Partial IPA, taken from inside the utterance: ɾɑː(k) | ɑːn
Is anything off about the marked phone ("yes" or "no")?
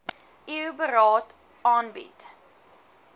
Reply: yes